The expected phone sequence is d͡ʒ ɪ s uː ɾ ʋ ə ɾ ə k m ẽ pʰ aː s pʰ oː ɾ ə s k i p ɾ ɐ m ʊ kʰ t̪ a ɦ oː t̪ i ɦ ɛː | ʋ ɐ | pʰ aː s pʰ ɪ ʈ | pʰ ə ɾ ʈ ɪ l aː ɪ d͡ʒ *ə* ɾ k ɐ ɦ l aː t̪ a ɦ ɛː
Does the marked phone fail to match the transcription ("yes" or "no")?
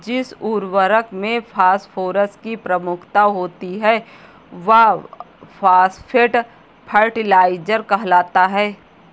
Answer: no